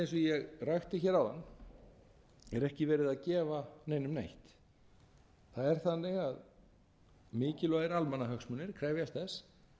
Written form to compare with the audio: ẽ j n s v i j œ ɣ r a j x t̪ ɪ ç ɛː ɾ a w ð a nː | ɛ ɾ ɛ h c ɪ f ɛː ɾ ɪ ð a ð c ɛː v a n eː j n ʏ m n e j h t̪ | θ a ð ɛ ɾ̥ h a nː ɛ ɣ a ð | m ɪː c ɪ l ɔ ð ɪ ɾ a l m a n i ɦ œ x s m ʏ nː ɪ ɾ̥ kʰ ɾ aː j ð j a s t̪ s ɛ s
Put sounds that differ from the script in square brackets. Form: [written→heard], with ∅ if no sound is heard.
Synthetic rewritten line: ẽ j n s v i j [œ→ɛ] ɣ r a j x t̪ ɪ ç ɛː ɾ a w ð a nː | ɛ ɾ ɛ h c ɪ [f→v] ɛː ɾ ɪ ð a ð c ɛː v a n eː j n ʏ m n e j h t̪ | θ a ð ɛ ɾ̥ [h→θ] a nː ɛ ɣ a ð | m ɪː c ɪ l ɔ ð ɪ ɾ a l m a n [i→a] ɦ œ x s m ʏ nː ɪ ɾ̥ kʰ ɾ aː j [ð→v] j a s t̪ [s→θ] ɛ s

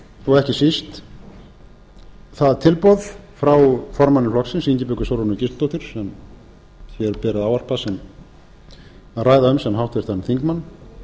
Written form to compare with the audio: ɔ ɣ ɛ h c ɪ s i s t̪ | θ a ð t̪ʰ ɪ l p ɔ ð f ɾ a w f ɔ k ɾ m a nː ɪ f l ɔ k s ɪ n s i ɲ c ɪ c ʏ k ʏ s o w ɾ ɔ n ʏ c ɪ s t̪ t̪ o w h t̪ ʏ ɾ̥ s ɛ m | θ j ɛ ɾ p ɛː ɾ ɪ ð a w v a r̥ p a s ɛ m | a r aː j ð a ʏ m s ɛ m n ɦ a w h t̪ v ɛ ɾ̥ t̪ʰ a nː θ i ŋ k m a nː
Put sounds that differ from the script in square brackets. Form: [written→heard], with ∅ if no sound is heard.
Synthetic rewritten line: ɔ ɣ ɛ h c ɪ s i s t̪ | θ a ð t̪ʰ ɪ l p ɔ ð f ɾ a w f ɔ [k→∅] ɾ m a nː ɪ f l ɔ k s ɪ n s i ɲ c ɪ [c→p] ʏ k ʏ s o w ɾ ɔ n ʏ c ɪ s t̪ t̪ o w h t̪ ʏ ɾ̥ s ɛ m | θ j ɛ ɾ p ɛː ɾ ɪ ð a w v a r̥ p a s ɛ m | a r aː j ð a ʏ m s ɛ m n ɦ a w h t̪ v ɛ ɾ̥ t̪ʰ a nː θ i ŋ k m a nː

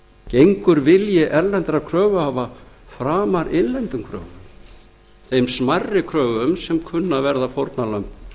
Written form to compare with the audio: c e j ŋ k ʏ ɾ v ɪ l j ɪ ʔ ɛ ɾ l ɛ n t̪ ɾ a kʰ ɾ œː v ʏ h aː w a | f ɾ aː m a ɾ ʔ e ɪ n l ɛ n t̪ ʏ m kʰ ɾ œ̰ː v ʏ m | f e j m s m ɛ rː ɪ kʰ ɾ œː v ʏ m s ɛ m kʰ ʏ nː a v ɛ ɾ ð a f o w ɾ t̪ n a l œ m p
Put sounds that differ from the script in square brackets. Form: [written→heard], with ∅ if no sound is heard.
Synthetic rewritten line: c e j ŋ k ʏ ɾ v ɪ l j ɪ ʔ ɛ ɾ l ɛ n t̪ ɾ a kʰ ɾ œː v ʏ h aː [w→v] a | f ɾ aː m a ɾ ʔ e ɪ n l ɛ n t̪ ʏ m kʰ ɾ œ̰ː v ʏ m | [f→θ] e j m s m [ɛ→a] rː ɪ kʰ ɾ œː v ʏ m s ɛ m kʰ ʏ nː a v ɛ ɾ ð a f o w ɾ t̪ n a l œ m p

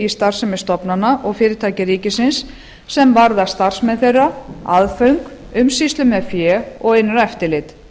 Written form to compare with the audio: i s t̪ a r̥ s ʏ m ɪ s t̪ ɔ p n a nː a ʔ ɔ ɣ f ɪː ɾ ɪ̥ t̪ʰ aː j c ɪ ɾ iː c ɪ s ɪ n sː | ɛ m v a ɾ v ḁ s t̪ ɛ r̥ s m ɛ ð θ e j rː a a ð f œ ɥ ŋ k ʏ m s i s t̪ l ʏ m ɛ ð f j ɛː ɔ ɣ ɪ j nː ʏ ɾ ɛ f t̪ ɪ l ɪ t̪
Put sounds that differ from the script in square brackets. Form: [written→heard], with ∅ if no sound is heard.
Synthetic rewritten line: i s t̪ a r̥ s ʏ m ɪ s t̪ ɔ p n a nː a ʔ ɔ ɣ f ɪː ɾ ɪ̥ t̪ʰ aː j c ɪ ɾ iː c ɪ s ɪ n sː | ɛ m v a ɾ [v→ð] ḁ s t̪ [ɛ→a] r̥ s m ɛ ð θ e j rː a a ð f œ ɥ ŋ k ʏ m s i s t̪ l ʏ m ɛ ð f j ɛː ɔ ɣ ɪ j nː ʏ ɾ ɛ f t̪ ɪ l ɪ t̪

